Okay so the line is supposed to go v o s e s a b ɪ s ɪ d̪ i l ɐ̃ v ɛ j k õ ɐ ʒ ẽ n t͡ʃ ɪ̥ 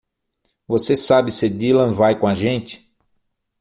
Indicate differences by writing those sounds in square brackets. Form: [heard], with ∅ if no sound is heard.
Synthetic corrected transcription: v o s e s a b ɪ s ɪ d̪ i l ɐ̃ v [a] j k õ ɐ ʒ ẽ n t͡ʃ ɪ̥